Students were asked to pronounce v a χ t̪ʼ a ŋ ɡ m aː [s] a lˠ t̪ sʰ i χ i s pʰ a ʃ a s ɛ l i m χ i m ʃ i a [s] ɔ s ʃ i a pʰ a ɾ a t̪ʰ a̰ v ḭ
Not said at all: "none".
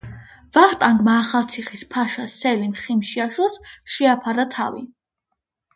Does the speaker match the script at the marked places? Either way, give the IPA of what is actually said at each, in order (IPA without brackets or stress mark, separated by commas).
χ, ʃ